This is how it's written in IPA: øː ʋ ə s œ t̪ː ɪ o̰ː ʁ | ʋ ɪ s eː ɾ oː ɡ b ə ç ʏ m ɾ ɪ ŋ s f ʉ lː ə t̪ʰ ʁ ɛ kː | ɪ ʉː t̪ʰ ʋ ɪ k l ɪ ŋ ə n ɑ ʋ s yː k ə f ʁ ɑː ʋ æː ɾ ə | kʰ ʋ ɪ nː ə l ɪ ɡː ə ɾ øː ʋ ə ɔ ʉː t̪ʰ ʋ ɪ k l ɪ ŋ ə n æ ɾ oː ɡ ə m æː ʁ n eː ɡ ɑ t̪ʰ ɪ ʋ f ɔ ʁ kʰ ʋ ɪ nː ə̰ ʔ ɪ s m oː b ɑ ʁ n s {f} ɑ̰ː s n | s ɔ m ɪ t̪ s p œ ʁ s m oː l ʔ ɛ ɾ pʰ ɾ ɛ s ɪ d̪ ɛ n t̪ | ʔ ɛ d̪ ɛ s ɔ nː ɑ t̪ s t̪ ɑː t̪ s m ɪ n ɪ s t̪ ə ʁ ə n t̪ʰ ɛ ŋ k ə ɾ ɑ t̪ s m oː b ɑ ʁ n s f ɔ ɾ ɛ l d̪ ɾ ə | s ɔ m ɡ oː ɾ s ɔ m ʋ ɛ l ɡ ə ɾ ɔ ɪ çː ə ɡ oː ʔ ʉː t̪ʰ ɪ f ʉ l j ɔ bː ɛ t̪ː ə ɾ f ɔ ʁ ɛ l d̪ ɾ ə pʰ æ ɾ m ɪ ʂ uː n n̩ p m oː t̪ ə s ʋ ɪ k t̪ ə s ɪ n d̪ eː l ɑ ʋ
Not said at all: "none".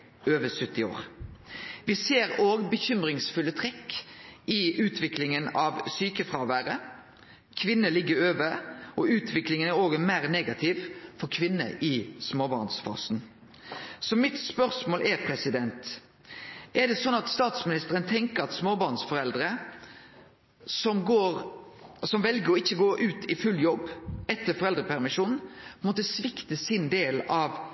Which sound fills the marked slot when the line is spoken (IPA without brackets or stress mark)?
f